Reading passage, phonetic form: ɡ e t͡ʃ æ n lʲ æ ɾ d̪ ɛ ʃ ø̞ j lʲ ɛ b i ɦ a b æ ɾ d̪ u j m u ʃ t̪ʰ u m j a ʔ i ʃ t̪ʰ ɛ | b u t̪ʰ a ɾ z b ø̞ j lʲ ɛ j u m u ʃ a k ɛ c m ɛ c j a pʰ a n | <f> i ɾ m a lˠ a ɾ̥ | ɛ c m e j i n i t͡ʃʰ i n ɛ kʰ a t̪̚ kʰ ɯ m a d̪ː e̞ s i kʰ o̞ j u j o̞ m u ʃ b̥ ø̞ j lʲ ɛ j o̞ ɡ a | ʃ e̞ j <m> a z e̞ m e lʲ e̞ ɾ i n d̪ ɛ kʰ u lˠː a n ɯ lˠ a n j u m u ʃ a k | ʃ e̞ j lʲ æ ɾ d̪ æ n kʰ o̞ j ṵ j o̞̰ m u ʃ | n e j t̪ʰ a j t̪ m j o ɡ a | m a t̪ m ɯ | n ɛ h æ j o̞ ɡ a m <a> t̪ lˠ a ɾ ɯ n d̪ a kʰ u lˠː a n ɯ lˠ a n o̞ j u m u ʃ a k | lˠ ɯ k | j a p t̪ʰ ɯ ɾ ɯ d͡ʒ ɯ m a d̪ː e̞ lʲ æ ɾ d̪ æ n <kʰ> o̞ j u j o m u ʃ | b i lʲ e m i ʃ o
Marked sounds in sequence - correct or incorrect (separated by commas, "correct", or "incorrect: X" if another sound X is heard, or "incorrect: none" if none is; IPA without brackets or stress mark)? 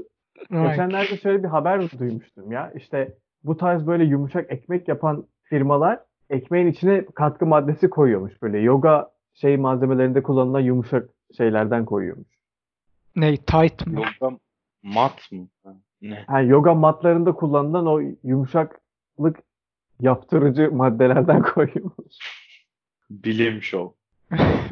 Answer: correct, correct, correct, correct